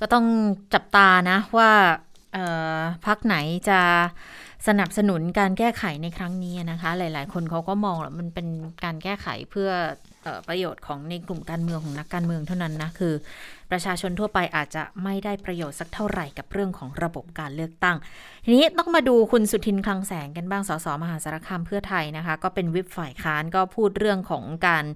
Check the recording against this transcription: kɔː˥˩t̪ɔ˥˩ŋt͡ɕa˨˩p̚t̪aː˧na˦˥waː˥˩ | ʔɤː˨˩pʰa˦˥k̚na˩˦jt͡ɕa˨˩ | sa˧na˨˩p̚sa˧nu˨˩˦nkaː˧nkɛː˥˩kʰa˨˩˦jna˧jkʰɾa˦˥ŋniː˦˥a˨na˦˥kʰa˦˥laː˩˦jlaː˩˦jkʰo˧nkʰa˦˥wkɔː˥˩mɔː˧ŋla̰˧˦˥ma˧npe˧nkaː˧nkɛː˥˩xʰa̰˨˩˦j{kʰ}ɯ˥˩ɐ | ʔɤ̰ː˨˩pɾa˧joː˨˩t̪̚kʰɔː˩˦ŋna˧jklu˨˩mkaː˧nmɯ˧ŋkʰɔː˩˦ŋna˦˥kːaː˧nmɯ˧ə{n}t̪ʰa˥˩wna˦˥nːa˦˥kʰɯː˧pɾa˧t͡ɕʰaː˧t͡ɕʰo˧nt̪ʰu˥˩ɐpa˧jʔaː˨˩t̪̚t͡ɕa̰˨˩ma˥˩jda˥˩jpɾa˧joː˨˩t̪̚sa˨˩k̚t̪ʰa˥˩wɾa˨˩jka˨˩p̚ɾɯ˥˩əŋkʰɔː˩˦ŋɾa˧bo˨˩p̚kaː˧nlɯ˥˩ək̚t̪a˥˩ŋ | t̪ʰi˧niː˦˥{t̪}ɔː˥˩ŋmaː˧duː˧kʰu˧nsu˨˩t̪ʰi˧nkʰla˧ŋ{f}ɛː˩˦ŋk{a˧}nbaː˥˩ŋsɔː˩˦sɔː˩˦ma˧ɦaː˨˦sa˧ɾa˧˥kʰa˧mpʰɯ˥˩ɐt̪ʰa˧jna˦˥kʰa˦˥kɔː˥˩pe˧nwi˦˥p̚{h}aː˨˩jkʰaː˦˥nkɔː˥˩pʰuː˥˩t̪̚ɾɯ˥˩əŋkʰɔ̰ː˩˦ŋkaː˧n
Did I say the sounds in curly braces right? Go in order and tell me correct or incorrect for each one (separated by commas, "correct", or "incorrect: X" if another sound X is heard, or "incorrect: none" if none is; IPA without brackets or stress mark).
incorrect: pʰ, incorrect: ŋ, correct, incorrect: s, correct, incorrect: f